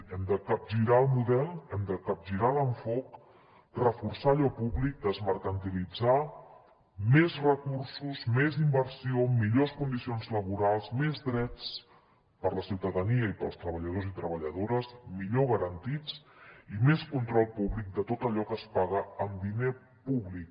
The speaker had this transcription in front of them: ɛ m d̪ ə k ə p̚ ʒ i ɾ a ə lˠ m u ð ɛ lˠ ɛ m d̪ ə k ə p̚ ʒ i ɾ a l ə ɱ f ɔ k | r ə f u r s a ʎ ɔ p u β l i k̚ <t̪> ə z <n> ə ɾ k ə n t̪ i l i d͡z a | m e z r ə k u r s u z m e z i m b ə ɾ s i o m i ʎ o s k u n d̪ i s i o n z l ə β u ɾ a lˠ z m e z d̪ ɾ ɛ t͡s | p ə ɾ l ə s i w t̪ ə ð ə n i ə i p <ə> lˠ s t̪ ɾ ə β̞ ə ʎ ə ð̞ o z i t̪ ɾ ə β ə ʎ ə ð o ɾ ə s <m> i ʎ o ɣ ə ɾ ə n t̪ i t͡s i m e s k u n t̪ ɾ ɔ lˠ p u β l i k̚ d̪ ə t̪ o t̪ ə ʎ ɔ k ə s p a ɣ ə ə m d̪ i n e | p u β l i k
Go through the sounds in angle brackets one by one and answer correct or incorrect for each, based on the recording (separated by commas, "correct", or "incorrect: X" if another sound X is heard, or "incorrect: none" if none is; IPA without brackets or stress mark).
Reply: incorrect: d̪, incorrect: m, correct, correct